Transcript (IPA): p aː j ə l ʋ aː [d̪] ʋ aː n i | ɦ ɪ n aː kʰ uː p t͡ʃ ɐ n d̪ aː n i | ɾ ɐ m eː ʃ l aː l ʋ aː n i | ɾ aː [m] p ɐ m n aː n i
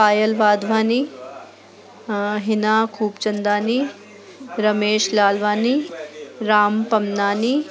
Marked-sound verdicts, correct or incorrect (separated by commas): correct, correct